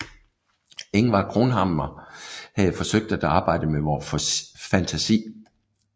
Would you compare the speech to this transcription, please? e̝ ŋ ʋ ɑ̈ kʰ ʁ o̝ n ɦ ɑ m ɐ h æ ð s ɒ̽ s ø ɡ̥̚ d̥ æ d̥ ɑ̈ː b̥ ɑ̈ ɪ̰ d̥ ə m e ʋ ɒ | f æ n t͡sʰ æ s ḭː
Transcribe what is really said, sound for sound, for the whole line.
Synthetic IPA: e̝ ŋ ʋ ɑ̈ kʰ ʁ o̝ n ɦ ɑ m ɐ h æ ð f ɒ̽ s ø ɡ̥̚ d̥ æ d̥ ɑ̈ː b̥ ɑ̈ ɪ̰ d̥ ə m e ʋ ɒ | f æ n t͡sʰ æ s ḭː